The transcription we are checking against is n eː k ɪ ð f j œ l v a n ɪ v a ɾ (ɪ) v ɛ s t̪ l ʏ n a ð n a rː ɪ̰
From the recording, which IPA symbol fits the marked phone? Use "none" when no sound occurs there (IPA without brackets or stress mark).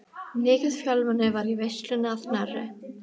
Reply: i